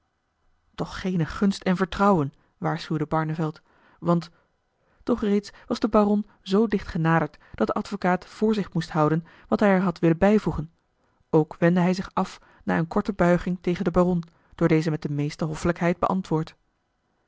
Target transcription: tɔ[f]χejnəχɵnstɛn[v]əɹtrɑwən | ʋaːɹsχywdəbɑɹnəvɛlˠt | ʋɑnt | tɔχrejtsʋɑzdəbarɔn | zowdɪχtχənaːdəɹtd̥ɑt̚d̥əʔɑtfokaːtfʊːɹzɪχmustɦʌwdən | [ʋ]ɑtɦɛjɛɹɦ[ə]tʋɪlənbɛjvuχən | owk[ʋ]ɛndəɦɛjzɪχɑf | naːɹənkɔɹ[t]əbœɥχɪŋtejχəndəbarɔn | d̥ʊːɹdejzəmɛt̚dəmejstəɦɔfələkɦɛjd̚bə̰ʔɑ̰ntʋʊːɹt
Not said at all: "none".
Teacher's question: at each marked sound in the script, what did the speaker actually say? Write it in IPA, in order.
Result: χ, v, ʋ, ɑ, ʋ, t

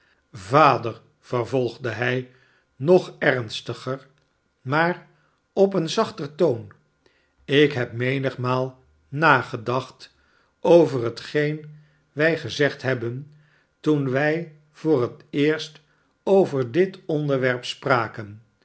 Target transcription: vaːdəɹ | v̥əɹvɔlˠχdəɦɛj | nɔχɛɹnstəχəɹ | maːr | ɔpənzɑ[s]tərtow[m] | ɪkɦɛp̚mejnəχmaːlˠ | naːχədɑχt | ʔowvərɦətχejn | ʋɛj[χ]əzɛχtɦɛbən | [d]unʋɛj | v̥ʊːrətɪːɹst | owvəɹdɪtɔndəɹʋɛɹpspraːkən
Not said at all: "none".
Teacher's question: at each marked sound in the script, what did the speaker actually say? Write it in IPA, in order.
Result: χ, n, χ, t

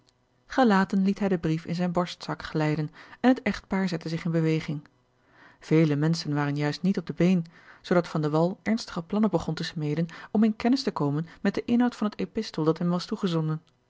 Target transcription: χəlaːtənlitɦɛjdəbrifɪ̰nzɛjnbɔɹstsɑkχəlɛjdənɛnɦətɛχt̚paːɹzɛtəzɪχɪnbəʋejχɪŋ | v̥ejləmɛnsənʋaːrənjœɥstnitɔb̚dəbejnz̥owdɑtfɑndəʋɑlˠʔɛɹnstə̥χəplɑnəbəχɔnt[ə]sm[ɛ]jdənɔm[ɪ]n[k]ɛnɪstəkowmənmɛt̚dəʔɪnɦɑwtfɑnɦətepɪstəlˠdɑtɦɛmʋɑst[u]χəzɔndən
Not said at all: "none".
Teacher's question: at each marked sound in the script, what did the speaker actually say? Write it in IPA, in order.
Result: ə, e, ɪ, k, u

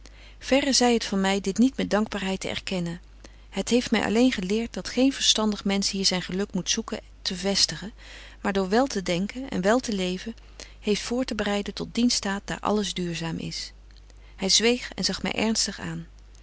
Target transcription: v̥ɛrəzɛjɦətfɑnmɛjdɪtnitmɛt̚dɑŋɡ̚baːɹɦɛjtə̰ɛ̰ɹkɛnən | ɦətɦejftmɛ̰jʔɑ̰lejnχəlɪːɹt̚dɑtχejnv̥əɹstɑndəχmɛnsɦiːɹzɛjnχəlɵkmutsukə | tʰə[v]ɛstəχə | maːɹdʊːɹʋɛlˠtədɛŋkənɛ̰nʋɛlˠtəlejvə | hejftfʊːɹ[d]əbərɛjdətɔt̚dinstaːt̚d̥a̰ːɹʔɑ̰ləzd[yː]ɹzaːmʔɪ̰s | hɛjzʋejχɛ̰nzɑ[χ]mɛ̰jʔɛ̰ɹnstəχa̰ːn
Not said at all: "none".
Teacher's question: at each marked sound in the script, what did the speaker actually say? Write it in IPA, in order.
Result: v, t, yː, χ

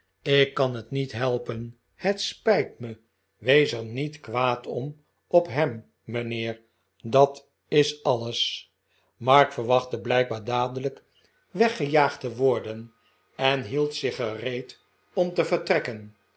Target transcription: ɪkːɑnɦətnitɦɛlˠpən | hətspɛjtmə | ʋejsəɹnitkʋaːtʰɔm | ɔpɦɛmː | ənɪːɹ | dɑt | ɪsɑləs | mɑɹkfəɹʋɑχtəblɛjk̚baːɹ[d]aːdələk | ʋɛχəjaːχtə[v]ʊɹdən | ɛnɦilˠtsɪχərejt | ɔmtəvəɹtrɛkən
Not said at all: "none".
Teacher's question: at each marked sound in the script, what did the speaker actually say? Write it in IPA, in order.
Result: d, ʋ

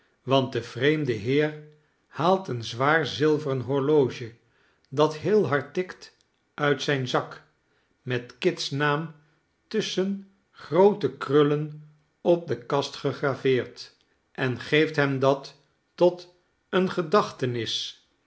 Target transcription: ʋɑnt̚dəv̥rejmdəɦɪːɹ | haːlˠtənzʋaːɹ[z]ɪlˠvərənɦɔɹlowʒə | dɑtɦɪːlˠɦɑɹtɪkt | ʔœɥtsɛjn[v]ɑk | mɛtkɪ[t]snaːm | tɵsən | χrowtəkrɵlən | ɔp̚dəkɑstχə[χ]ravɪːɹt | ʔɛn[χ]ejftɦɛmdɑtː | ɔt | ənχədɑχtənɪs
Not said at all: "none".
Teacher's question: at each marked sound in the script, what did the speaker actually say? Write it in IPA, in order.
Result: z, z, t, χ, χ

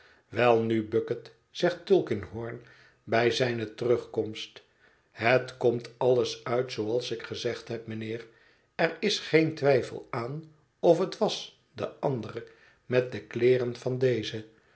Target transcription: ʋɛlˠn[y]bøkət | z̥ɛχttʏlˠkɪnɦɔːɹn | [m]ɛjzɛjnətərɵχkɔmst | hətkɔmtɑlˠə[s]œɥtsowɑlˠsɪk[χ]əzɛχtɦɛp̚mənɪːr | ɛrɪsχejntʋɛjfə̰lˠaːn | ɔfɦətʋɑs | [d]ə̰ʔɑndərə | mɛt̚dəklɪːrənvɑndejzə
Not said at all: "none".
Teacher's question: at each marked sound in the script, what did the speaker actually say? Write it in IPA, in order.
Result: y, b, s, χ, d

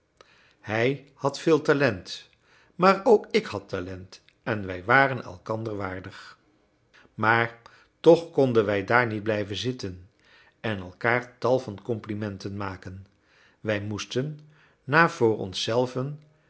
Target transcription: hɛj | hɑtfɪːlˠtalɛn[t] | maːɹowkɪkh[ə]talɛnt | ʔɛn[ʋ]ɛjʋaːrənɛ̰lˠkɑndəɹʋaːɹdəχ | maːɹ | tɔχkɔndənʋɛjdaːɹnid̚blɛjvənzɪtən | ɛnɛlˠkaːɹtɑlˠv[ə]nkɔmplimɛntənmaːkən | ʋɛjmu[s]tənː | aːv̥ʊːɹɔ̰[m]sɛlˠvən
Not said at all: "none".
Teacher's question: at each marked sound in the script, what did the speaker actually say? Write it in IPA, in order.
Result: t, ɑ, ʋ, ɑ, s, n

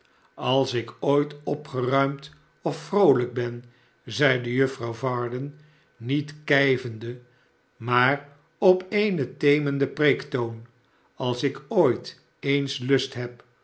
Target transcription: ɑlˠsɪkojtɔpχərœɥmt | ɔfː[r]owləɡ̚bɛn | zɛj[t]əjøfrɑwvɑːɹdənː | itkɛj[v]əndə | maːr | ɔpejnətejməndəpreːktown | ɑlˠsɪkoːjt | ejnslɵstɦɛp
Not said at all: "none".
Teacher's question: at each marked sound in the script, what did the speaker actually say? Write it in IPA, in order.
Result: r, d, v

